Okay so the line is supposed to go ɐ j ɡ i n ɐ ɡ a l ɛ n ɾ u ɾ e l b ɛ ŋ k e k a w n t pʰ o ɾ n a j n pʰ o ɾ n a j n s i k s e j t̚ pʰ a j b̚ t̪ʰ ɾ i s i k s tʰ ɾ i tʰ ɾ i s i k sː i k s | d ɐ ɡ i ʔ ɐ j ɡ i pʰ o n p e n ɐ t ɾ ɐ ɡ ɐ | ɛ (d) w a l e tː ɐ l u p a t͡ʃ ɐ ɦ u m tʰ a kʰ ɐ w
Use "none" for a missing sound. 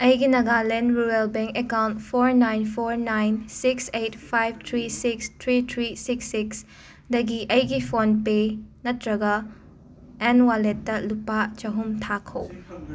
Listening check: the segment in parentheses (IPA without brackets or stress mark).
n